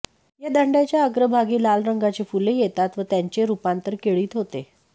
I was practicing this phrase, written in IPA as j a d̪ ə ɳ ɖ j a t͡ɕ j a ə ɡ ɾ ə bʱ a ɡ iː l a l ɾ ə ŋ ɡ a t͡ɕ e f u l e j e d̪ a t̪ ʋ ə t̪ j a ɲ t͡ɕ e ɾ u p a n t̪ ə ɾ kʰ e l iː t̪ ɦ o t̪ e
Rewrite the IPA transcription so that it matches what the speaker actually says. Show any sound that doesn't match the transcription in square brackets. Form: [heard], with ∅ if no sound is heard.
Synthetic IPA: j a d̪ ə ɳ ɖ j a t͡ɕ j a ə ɡ ɾ ə bʱ a ɡ iː l a l ɾ ə ŋ ɡ a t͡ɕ e f u l e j e [t̪] a t̪ ʋ ə t̪ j a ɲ t͡ɕ e ɾ u p a n t̪ ə ɾ [k] e [ɭ] iː t̪ ɦ o t̪ e